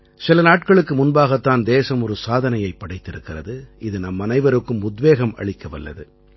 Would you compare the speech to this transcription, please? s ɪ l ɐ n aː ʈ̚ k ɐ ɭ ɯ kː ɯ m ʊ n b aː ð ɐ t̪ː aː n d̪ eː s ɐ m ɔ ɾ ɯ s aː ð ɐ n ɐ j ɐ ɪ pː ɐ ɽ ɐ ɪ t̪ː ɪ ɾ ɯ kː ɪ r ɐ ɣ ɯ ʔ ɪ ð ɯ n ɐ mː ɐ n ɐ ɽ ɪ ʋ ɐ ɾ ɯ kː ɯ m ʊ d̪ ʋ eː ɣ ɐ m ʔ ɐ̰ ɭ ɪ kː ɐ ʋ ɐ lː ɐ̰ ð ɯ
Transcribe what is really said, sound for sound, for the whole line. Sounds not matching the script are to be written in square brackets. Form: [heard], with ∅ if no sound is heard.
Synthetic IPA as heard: s ɪ l ɐ n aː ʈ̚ k ɐ ɭ ɯ kː ɯ m ʊ n b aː [ɣ] ɐ t̪ː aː n d̪ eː s ɐ m ɔ ɾ ɯ s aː ð ɐ n ɐ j ɐ ɪ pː ɐ ɽ ɐ ɪ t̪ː ɪ ɾ ɯ kː ɪ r ɐ [ð] ɯ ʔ ɪ ð ɯ n ɐ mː ɐ n ɐ [∅] ɪ ʋ ɐ ɾ ɯ kː ɯ m ʊ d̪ ʋ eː ɣ ɐ m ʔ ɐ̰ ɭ ɪ kː ɐ ʋ ɐ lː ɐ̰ ð ɯ